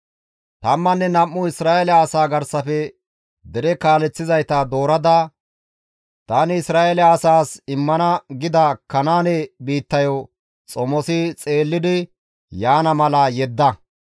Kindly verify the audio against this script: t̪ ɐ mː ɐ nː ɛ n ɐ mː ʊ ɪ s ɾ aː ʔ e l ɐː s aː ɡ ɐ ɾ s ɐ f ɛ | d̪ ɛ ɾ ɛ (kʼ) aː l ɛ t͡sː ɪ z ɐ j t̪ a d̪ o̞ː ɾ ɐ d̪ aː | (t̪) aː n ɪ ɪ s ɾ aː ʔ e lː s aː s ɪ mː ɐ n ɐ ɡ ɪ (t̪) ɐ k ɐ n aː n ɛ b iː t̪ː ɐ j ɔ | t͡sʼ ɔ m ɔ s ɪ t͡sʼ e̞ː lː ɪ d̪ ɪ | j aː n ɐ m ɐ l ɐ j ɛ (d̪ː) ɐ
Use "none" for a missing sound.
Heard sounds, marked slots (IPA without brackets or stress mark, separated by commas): k, t̪, d̪, d̪ː